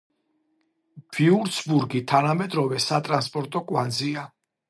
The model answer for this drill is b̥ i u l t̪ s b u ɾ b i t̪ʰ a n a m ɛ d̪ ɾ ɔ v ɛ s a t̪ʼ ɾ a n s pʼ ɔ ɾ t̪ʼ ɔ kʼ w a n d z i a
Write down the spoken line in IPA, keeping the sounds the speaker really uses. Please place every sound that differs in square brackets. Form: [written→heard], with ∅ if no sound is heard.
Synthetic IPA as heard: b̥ i u [l→ɾ] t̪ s b u ɾ [b→ɡ] i t̪ʰ a n a m ɛ d̪ ɾ ɔ v ɛ s a t̪ʼ ɾ a n s pʼ ɔ ɾ t̪ʼ ɔ kʼ w a n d z i a